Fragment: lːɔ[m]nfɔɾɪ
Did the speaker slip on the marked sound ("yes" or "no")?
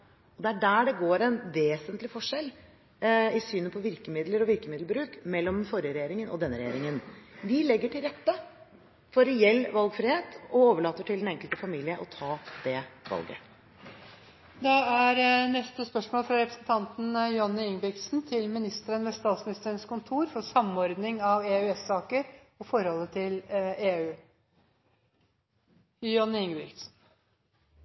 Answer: no